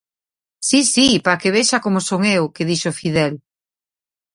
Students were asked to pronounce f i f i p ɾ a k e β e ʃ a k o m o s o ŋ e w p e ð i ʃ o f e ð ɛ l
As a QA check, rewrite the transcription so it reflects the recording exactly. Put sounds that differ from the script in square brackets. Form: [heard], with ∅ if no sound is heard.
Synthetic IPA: [s] i [s] i p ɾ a k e β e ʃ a k o m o s o ŋ e w [k] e ð i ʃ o f [i] ð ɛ l